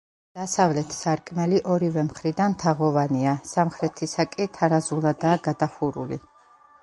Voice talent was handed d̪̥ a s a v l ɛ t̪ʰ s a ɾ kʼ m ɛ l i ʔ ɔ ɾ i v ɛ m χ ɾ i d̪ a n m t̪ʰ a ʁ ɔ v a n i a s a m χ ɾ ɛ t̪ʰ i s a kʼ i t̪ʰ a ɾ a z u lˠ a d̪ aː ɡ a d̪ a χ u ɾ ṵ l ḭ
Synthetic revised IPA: d̪̥ a s a v l ɛ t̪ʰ s a ɾ kʼ m ɛ l i ʔ ɔ ɾ i v ɛ m χ ɾ i d̪ a n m t̪ʰ a ʁ ɔ v a n i a s a m χ ɾ ɛ t̪ʰ i s a kʼ i t̪ʰ a ɾ a z u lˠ a d̪ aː ɡ a d̪ a χ u ɾ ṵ l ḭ